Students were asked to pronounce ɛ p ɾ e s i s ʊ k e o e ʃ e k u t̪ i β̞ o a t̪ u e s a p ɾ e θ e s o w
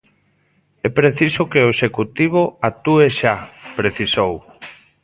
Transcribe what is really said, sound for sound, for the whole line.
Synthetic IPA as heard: ɛ p ɾ e θ i s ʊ k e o e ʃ e k u t̪ i β̞ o a t̪ u e ʃ a p ɾ e θ i s o w